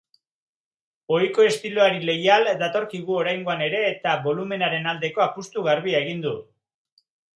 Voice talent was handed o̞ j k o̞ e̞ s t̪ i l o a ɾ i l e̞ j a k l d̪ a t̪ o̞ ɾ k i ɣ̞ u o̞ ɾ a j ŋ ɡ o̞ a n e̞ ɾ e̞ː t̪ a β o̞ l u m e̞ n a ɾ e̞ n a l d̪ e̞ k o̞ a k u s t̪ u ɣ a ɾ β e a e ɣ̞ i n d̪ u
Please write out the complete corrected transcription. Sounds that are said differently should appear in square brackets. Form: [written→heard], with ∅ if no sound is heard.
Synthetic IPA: o̞ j k o̞ e̞ s t̪ i l o a ɾ i l e̞ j a [k→∅] l d̪ a t̪ o̞ ɾ k i ɣ̞ u o̞ ɾ a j ŋ ɡ o̞ a n e̞ ɾ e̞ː t̪ a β o̞ l u m e̞ n a ɾ e̞ n a l d̪ e̞ k o̞ a [k→p] u s t̪ u ɣ a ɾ β [e→i] a e ɣ̞ i n d̪ u